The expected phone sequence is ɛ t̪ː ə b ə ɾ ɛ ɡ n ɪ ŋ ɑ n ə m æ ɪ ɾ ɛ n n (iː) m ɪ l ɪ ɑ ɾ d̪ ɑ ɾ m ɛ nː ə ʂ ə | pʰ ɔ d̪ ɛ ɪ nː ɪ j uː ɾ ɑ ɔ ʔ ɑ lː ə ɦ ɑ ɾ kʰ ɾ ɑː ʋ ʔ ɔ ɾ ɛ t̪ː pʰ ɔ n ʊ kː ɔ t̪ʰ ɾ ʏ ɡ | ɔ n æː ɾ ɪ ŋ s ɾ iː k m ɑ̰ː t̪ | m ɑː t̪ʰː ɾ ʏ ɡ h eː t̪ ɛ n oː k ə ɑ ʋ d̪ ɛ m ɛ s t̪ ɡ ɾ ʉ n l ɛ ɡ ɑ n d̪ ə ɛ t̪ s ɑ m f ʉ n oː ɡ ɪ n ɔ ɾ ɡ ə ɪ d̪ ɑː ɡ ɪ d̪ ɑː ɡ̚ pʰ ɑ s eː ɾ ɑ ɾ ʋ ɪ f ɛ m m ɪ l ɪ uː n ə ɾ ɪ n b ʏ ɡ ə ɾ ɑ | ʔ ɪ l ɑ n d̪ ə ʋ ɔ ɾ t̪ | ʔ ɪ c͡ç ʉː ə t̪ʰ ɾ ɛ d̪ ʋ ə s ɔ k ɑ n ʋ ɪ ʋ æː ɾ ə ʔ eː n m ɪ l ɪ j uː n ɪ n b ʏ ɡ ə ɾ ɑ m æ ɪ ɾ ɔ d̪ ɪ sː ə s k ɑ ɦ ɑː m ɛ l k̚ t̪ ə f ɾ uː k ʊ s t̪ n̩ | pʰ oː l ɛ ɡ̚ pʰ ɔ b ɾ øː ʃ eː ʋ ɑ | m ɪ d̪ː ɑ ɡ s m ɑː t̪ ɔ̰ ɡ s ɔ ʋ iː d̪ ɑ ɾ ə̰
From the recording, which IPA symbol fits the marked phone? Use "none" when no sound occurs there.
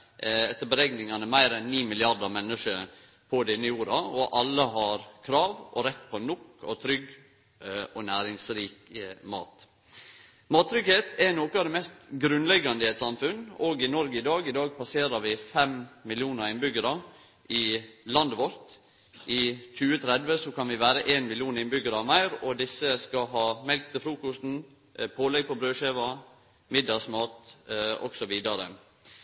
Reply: iː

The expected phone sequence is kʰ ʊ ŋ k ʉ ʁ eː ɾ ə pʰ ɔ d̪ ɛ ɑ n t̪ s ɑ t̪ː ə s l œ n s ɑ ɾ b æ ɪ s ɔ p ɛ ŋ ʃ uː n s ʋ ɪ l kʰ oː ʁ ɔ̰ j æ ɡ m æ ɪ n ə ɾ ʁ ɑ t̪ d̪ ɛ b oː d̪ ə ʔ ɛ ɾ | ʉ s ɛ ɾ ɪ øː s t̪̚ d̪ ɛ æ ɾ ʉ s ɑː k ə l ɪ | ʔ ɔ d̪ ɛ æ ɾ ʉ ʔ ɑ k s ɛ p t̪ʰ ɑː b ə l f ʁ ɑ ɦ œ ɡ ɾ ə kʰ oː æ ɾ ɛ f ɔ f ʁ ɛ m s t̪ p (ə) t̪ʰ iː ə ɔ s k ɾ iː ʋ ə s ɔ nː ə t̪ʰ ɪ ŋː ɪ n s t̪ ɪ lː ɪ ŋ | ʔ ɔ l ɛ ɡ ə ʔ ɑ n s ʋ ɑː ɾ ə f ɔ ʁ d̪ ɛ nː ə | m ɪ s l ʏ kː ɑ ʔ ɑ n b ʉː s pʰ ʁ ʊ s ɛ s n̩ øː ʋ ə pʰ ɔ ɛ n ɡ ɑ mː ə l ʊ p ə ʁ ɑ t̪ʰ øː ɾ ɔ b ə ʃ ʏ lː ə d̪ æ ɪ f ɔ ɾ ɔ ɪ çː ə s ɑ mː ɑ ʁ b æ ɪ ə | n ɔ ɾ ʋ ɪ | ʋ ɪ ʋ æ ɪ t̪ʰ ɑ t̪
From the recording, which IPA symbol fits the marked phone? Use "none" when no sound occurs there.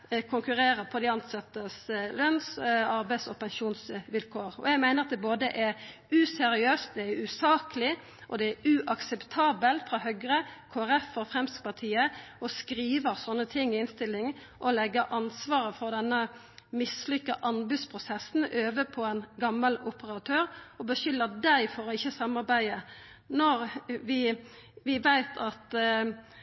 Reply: ɑ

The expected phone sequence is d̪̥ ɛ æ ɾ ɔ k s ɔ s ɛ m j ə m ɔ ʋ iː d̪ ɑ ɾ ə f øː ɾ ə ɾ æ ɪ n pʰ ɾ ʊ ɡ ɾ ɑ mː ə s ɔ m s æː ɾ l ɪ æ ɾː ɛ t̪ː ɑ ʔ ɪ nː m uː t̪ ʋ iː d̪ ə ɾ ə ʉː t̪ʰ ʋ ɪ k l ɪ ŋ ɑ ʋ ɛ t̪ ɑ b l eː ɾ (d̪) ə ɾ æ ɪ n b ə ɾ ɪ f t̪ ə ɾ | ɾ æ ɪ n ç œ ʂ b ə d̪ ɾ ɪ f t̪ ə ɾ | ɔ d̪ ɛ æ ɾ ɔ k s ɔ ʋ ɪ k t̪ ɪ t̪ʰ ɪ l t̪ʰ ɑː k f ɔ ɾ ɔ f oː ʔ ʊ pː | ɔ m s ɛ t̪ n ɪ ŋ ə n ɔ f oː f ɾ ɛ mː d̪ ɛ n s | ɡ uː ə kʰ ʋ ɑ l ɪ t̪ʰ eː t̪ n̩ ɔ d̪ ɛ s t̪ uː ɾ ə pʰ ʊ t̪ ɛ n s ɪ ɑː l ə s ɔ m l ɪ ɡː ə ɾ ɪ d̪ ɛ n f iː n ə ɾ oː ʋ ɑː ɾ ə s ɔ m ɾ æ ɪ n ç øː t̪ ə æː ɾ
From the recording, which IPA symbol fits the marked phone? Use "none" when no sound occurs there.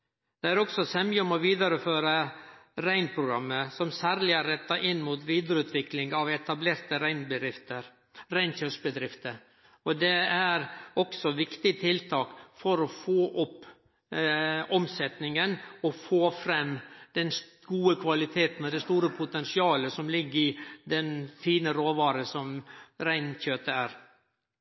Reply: t̪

